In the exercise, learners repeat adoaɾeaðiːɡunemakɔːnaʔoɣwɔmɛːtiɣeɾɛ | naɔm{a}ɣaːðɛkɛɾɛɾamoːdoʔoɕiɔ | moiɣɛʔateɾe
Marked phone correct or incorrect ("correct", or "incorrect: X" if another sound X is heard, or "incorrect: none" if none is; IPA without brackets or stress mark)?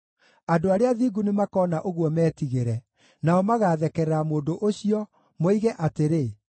correct